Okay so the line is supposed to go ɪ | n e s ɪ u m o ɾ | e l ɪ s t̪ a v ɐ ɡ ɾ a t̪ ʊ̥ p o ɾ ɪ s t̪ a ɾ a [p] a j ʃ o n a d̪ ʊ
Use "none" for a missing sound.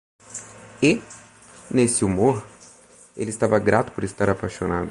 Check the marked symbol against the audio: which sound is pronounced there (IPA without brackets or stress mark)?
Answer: p